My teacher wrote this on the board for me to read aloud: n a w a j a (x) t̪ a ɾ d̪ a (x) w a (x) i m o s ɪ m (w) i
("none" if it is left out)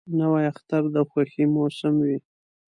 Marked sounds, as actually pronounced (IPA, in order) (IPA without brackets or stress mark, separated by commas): x, x, x, w